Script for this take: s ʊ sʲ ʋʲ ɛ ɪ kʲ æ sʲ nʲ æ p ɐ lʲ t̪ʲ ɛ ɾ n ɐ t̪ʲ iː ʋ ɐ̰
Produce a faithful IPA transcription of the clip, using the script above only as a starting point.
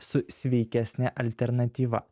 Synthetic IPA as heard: s ʊ sʲ ʋʲ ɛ ɪ kʲ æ sʲ nʲ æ ʔ ɐ lʲ t̪ʲ ɛ ɾ n ɐ t̪ʲ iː ʋ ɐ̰